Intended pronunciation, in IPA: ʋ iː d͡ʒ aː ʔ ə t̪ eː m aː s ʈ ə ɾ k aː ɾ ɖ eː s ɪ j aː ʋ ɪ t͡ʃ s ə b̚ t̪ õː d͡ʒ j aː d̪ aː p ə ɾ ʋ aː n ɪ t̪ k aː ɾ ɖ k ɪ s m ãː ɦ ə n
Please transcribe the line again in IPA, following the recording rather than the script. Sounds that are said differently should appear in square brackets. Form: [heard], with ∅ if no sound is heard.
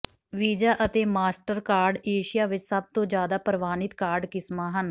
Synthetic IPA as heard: ʋ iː d͡ʒ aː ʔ ə t̪ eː m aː s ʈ ə ɾ k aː ɾ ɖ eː [ʃ] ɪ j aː ʋ ɪ t͡ʃ s ə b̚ t̪ õː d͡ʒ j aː d̪ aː p ə ɾ ʋ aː n ɪ t̪ k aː ɾ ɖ k ɪ s m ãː ɦ ə n